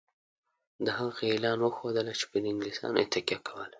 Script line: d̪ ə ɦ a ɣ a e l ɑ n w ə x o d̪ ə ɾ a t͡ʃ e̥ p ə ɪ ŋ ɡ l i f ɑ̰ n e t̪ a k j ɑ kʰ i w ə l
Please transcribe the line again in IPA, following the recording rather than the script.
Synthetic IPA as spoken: d̪ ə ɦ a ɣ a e l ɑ n w ə x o d̪ ə l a t͡ʃ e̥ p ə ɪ ŋ ɡ l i s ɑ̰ n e t̪ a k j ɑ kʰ a w ə l